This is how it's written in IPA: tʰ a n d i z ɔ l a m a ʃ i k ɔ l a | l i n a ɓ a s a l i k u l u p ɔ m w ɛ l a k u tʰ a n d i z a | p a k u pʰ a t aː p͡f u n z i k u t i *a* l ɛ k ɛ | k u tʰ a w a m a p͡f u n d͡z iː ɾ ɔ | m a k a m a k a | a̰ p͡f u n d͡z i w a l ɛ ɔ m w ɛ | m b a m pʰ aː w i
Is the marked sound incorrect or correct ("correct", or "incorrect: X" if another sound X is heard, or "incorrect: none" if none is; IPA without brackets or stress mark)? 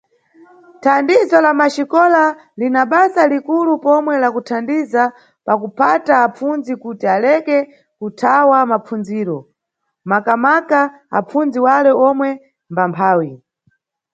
correct